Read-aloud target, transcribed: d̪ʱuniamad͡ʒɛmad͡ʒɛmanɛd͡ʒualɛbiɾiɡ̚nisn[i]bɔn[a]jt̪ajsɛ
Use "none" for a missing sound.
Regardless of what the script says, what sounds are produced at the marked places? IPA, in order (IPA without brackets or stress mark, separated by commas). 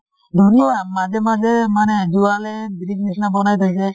a, a